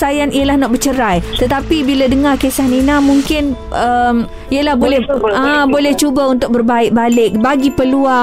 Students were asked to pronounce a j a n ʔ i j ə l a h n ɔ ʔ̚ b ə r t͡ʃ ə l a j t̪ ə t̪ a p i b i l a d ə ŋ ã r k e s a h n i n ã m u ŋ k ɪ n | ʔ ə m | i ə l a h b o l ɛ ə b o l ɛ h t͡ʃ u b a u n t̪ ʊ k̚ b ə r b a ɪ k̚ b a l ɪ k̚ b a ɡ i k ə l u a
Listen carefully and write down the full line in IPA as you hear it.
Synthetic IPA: a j a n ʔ i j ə l a h n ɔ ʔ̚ b ə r t͡ʃ ə ɾ a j t̪ ə t̪ a p i b i l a d ə ŋ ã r k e s a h n i n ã m u ŋ k ɪ n | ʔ ə m | i ə l a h b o l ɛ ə b o l ɛ h t͡ʃ u b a u n t̪ ʊ k̚ b ə r b a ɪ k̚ b a l ɪ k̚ b a ɡ i p ə l u a